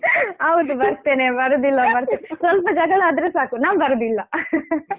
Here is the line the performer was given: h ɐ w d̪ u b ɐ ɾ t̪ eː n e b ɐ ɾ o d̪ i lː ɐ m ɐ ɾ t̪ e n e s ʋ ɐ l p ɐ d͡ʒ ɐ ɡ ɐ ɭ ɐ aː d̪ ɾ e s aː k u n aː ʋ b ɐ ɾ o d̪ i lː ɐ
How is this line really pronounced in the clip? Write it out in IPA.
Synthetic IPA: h ɐ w d̪ u b ɐ ɾ t̪ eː n e b ɐ ɾ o d̪ i lː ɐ b ɐ ɾ t̪ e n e s ʋ ɐ l p ɐ d͡ʒ ɐ ɡ ɐ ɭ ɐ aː d̪ ɾ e s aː k u n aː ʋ b ɐ ɾ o d̪ i lː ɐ